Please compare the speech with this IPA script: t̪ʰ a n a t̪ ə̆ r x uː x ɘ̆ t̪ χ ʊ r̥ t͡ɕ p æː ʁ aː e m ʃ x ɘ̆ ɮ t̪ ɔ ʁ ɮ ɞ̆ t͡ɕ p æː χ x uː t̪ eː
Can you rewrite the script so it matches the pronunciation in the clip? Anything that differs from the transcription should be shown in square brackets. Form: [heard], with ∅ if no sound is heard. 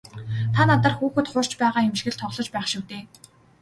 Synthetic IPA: t̪ʰ a n a t̪ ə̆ r x uː x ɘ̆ t̪ χ ʊ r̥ t͡ɕ p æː ʁ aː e m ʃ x ɘ̆ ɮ [t̪ʰ] ɔ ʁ ɮ ɞ̆ t͡ɕ p æː χ [ʃ] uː t̪ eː